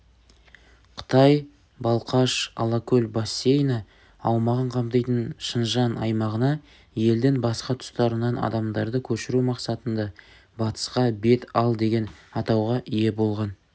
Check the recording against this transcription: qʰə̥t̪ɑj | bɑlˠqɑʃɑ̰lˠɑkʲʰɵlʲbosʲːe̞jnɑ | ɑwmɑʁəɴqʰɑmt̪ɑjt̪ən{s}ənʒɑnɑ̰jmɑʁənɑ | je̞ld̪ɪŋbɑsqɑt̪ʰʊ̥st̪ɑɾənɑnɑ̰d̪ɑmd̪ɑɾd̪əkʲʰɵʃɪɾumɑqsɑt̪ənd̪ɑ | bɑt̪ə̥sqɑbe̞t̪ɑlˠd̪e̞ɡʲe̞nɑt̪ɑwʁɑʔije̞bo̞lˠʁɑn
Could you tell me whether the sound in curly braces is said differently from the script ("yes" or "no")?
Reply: yes